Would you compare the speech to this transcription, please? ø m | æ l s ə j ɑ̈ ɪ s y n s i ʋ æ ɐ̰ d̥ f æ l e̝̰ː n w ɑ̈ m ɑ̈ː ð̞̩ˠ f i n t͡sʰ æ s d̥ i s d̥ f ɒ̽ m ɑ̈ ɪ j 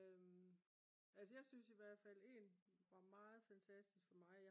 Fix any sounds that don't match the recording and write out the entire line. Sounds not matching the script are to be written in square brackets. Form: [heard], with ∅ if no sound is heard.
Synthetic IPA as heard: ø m | æ l s ə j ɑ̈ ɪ s y n s i ʋ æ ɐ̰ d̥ f æ l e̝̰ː n [ʋ] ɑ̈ m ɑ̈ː ð̞̩ˠ f [æ] n t͡sʰ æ s d̥ i s [ɡ̥] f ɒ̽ m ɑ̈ ɪ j